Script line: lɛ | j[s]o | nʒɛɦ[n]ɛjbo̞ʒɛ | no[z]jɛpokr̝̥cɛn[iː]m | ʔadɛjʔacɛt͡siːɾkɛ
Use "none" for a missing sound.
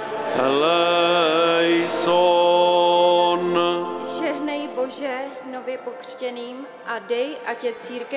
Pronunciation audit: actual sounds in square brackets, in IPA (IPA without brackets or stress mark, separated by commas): s, n, v, iː